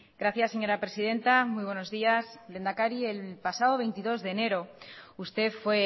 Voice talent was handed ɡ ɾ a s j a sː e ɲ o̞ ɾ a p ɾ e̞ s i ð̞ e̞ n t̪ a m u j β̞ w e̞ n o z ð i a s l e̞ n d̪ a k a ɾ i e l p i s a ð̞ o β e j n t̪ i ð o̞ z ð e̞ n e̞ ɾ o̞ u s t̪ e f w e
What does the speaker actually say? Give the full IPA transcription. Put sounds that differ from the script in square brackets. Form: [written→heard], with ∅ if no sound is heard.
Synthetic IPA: ɡ ɾ a [s→θ] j a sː e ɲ o̞ ɾ a p ɾ e̞ s i ð̞ e̞ n t̪ a m u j β̞ w e̞ n o z ð i a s l e̞ n d̪ a k a ɾ i e l p [i→a] s a ð̞ o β e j n t̪ i ð o̞ z ð e̞ n e̞ ɾ o̞ u s t̪ e f w e